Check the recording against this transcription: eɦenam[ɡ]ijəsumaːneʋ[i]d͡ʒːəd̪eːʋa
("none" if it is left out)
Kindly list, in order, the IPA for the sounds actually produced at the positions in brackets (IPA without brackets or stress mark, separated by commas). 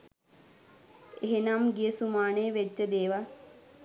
ɡ, e